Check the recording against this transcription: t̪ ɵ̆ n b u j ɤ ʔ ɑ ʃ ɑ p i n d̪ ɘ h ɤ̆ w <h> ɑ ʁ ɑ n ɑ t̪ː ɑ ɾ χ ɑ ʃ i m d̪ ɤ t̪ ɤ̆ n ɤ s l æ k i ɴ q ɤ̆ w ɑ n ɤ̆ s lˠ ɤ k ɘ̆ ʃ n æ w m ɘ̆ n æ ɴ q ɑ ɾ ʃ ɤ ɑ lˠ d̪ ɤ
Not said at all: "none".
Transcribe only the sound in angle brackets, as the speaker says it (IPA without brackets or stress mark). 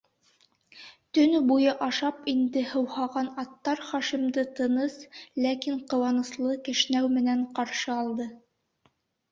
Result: h